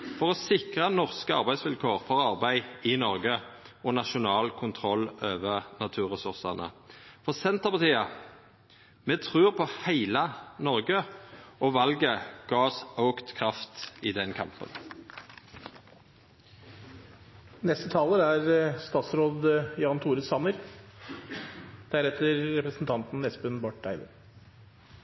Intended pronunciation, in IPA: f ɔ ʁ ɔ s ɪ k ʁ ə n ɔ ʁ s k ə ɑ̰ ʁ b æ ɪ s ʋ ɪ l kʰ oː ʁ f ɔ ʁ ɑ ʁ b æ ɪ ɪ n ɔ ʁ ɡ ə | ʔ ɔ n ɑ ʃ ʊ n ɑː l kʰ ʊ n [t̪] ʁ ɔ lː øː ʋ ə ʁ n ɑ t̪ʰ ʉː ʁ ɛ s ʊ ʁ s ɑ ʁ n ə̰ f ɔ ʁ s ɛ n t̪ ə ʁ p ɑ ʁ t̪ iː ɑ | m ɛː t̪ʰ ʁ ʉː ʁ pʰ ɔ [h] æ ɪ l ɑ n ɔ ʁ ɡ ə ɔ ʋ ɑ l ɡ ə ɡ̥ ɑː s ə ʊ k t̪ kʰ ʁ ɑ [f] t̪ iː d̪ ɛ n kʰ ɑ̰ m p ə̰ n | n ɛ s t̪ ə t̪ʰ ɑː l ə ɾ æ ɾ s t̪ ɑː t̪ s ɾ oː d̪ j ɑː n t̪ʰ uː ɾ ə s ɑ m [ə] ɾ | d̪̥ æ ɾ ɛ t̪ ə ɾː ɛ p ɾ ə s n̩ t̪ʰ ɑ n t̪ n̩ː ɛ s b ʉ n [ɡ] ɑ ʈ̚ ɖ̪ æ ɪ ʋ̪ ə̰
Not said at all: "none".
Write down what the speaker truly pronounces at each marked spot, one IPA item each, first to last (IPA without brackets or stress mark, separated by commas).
t̪ʰ, h, f, ə, b